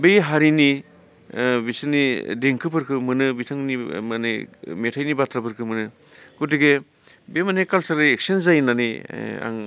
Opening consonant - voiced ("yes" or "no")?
yes